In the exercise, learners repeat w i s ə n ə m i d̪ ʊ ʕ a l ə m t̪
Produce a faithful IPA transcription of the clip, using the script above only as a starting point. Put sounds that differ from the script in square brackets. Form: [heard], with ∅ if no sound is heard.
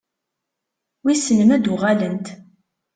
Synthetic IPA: w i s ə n ə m [æ] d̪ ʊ [ʁ] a l ə [n] t̪